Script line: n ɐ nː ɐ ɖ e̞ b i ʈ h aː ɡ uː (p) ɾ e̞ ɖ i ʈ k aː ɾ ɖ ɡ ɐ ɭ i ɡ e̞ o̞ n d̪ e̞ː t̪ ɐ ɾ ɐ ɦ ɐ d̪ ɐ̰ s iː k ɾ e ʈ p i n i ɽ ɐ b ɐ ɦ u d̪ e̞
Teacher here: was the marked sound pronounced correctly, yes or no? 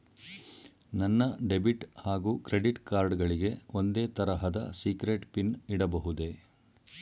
no